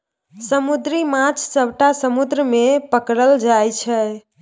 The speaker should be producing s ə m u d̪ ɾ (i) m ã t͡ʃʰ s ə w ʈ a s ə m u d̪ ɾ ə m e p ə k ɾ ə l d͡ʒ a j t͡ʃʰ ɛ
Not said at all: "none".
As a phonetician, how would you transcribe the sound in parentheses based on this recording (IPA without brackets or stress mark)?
i